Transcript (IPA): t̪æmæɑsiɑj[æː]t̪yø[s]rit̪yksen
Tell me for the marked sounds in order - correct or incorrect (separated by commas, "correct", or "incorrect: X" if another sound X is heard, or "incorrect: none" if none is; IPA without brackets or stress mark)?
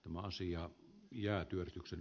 correct, incorrect: none